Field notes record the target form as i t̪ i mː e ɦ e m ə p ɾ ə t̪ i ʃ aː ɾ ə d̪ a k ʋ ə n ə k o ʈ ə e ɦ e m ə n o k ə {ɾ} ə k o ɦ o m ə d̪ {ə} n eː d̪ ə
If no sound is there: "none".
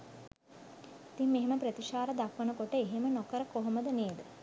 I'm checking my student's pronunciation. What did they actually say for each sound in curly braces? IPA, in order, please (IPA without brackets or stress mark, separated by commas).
ɾ, ə